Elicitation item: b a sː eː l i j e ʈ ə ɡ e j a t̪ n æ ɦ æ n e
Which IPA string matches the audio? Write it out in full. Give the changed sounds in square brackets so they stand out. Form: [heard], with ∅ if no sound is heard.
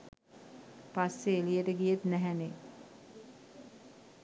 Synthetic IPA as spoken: [p] a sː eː l i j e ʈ ə ɡ [i] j [e] t̪ n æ ɦ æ n e